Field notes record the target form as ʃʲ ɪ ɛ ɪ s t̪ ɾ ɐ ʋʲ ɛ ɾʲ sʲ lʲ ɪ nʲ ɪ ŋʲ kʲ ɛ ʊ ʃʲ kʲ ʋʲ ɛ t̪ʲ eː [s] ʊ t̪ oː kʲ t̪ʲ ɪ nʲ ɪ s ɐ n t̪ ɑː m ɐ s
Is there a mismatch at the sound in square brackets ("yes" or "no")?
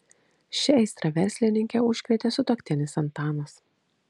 no